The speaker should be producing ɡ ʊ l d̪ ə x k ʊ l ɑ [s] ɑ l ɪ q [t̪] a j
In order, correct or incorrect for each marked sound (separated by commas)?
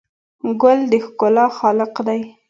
incorrect, incorrect